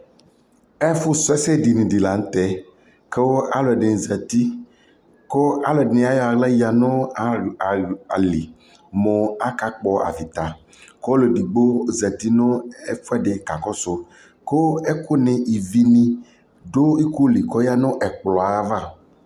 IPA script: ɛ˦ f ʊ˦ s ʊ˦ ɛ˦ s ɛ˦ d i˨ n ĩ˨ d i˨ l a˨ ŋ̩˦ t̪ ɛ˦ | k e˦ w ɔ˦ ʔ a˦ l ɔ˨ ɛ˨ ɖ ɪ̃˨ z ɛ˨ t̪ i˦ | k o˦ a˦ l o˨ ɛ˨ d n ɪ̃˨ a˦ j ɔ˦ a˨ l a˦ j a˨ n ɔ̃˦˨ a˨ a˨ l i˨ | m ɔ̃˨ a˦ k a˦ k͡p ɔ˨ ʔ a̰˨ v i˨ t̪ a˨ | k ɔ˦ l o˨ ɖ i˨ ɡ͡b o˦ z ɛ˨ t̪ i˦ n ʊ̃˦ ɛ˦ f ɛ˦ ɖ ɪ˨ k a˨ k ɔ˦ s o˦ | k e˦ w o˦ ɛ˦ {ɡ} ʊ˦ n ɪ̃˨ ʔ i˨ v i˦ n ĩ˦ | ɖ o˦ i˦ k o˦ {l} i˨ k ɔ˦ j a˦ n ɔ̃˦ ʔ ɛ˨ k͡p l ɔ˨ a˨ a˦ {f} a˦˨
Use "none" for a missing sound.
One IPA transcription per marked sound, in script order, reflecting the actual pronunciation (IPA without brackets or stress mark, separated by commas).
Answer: k, l, v